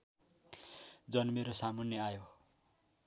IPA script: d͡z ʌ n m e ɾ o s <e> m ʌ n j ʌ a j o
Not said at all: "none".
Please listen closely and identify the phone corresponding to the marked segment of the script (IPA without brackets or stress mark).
a